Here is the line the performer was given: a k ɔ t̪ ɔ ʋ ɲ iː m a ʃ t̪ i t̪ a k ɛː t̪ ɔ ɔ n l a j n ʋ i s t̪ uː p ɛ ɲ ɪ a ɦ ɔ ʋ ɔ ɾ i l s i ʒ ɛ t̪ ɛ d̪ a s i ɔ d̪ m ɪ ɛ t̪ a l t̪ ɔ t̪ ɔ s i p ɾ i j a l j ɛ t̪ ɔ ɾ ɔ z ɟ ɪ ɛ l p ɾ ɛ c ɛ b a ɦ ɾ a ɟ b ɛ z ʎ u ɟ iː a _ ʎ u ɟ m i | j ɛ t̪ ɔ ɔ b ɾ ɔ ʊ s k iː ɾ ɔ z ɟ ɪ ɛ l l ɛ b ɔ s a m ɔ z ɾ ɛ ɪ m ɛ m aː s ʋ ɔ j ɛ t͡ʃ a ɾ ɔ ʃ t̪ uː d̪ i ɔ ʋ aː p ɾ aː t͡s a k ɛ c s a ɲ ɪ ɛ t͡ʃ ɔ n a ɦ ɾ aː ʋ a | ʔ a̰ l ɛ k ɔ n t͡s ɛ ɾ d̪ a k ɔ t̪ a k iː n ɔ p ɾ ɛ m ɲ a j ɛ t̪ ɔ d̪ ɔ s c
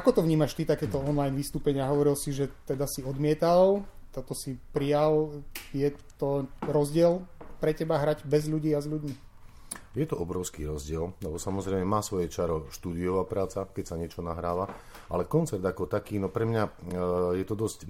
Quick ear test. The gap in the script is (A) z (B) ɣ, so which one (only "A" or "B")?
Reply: A